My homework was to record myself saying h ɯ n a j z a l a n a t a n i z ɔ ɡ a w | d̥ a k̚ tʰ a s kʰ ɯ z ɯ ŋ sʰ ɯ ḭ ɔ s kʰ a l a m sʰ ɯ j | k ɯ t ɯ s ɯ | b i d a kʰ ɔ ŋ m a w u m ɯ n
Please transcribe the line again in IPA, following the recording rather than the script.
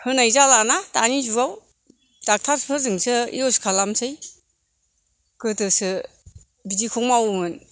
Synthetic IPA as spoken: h ɯ n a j z a l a n a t a n i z u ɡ a w | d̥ a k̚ tʰ a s pʰ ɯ z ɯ ŋ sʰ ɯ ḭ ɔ s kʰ a l a m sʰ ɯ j | k ɯ t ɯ s ɯ | b i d i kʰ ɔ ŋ m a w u m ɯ n